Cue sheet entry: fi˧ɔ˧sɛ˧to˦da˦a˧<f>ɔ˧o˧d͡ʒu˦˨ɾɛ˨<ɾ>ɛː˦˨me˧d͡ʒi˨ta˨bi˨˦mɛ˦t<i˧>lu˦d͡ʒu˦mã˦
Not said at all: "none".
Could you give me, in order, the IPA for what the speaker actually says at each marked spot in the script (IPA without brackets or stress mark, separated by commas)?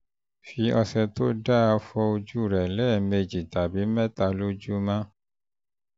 f, l, a˧